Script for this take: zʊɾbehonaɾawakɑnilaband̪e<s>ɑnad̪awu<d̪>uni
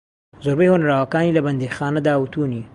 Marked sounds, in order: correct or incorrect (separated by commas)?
incorrect, incorrect